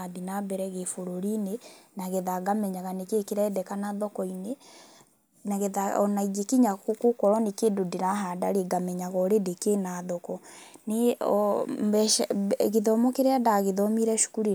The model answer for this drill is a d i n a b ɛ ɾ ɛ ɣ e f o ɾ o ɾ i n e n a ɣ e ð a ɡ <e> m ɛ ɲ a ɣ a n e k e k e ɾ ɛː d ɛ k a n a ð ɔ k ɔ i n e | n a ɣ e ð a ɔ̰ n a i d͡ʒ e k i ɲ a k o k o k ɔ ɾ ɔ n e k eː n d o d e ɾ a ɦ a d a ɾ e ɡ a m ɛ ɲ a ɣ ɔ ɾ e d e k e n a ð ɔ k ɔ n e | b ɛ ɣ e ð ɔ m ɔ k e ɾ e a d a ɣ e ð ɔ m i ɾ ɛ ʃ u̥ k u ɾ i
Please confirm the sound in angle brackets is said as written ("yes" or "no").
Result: no